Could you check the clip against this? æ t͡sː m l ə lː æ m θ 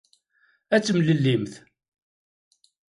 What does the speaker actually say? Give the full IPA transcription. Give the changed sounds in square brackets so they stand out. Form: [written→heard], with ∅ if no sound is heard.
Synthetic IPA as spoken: æ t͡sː m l ə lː [æ→i] m θ